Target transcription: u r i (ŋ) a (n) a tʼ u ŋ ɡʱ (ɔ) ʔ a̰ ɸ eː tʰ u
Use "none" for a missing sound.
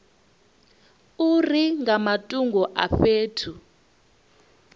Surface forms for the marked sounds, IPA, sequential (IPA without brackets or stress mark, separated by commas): ŋ, m, ɔ